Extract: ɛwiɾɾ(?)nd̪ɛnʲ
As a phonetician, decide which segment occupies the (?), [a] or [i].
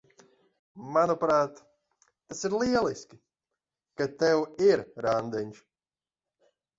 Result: a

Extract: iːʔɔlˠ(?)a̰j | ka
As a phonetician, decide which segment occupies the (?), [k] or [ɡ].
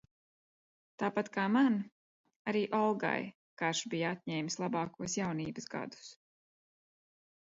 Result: ɡ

